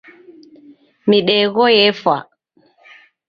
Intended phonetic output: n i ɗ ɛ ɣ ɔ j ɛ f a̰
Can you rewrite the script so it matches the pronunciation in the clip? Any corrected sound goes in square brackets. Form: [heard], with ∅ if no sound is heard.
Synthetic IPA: [m] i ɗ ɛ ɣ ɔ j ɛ f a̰

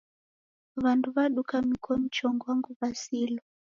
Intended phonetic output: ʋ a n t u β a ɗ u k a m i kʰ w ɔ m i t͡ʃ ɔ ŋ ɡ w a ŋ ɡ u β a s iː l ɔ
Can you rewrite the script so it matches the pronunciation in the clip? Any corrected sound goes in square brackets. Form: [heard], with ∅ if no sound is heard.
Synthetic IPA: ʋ a n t u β a ɗ u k a m i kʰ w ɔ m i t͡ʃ ɔ ŋ ɡ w a ŋ ɡ u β a s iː l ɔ

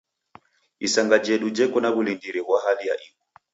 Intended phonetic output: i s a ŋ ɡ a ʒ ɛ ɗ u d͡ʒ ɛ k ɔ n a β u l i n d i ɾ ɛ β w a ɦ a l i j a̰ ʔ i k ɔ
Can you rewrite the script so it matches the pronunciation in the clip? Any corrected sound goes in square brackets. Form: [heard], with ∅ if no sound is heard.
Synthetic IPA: i s a ŋ ɡ a [d͡ʒ] ɛ ɗ u d͡ʒ ɛ k ɔ n a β u l i n d i ɾ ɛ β w a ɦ a l i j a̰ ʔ i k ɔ

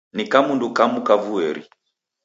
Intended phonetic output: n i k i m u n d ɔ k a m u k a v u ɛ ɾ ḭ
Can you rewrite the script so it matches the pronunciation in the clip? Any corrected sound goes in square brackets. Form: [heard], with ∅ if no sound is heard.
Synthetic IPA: n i k [a] m u n d [u] k a m u k a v u ɛ ɾ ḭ

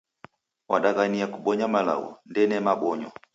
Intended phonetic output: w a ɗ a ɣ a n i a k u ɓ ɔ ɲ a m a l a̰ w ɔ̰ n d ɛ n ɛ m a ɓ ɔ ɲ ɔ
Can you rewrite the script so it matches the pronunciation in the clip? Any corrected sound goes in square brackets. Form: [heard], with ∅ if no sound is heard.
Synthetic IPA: w a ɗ a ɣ a n i a k u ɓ ɔ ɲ a m a l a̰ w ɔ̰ n d ɛ n ɛ m a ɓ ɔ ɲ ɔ

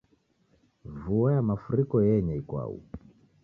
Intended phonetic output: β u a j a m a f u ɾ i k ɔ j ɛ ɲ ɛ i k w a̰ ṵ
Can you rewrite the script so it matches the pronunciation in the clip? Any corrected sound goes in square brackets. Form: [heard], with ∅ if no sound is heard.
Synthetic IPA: [v] u a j a m a f u ɾ i k ɔ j ɛ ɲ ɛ i k w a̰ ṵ

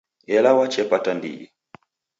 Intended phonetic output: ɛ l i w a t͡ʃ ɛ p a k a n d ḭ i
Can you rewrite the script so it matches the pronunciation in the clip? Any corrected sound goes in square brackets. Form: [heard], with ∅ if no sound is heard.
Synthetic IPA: ɛ l [a] w a t͡ʃ ɛ p a [t] a n d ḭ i

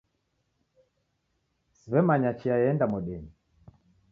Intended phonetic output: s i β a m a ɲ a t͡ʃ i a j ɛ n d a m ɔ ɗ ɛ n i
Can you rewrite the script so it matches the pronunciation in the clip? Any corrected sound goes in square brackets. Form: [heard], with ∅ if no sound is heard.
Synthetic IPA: s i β [ɛ] m a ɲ a t͡ʃ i a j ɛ n d a m ɔ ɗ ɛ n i

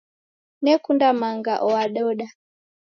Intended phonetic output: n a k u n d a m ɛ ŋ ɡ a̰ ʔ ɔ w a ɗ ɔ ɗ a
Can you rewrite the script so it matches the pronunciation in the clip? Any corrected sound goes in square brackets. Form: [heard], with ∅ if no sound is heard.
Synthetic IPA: n [ɛ] k u n d a m [a] ŋ ɡ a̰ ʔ ɔ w a ɗ ɔ ɗ a

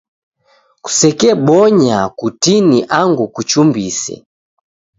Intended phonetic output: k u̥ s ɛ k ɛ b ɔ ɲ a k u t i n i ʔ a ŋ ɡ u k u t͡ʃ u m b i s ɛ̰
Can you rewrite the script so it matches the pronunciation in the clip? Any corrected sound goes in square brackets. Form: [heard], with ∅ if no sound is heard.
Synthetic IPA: k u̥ s ɛ k ɛ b ɔ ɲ a k u t i n i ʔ a ŋ ɡ u k u t͡ʃ u m b i s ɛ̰

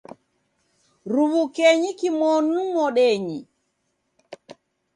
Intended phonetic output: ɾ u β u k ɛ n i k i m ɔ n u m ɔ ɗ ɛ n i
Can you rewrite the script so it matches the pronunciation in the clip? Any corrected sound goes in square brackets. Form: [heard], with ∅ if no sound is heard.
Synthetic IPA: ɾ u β u k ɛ [ɲ] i k i m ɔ n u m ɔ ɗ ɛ [ɲ] i

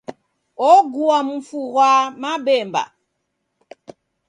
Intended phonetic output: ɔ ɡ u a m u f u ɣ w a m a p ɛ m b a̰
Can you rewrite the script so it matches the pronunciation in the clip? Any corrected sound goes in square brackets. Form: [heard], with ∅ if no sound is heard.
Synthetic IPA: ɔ ɡ u a m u f u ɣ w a m a [b] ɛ m b a̰

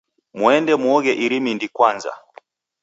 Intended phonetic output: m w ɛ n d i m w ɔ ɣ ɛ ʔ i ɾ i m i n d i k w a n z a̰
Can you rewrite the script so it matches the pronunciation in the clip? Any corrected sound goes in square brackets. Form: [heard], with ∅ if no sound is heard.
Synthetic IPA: m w ɛ n d [ɛ] m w ɔ ɣ ɛ ʔ i ɾ i m i n d i k w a n z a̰

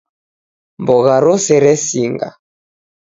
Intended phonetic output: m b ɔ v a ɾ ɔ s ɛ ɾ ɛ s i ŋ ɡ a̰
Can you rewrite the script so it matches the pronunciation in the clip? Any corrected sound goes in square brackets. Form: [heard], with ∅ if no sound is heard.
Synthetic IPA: m b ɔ [ɣ] a ɾ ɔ s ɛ ɾ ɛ s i ŋ ɡ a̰

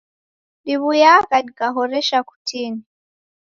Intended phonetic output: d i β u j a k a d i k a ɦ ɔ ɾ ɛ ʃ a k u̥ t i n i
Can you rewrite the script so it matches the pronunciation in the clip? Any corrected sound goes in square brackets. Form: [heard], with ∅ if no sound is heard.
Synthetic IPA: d i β u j a k a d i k a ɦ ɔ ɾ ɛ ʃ a k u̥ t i n i

